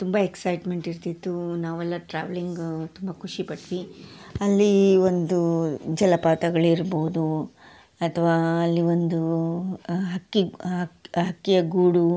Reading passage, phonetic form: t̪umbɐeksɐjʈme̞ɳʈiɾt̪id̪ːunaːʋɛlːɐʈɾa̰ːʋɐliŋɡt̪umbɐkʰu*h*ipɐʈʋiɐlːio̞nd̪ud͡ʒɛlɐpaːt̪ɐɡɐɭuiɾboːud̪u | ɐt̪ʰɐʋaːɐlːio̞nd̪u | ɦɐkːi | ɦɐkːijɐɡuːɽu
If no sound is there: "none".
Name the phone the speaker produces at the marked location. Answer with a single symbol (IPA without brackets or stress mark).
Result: ʂ